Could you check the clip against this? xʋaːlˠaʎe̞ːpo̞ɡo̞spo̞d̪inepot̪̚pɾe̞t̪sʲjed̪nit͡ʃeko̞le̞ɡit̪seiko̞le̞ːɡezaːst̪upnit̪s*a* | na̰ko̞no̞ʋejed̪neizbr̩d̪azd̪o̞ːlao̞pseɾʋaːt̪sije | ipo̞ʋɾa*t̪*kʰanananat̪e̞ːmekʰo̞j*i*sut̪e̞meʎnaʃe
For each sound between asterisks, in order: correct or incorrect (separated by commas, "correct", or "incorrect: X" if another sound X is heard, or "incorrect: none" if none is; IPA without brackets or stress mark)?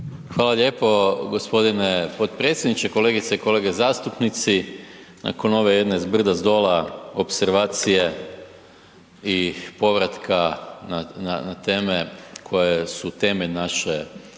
incorrect: i, correct, incorrect: e